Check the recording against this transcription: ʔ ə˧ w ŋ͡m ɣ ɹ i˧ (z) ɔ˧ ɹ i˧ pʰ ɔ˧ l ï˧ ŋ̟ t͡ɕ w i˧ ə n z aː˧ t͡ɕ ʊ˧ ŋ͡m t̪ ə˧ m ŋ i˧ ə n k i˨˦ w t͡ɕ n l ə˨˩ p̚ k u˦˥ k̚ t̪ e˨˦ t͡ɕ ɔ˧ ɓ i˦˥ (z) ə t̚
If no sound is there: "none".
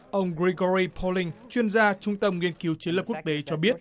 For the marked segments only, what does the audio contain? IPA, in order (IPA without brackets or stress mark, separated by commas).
ɣ, none